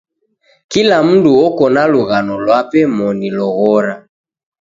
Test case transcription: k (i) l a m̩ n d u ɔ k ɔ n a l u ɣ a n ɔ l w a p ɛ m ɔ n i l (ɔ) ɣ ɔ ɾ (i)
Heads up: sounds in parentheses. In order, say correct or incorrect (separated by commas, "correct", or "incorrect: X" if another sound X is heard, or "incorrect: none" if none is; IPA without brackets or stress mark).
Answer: correct, correct, incorrect: a